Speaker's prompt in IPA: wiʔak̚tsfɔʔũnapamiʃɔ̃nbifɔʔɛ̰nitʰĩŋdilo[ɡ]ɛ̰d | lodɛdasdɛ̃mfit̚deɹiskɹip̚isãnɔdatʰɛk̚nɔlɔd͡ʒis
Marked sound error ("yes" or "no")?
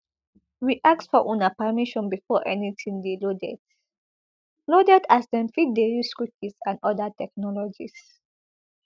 yes